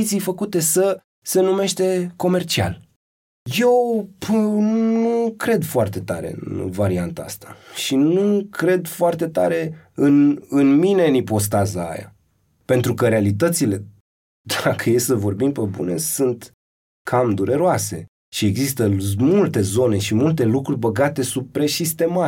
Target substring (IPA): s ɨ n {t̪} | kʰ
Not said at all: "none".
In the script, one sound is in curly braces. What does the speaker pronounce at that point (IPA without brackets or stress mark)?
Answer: t̪